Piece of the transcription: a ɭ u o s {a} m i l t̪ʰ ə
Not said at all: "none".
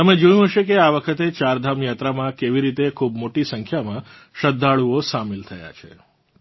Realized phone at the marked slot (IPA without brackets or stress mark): a